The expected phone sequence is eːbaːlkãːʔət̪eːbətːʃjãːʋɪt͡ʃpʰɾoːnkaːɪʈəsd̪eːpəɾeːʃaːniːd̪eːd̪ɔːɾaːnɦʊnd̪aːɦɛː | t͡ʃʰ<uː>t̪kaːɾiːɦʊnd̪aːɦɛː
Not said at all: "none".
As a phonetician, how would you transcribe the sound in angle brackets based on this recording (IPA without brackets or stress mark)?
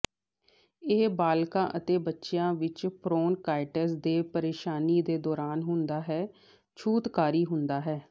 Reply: uː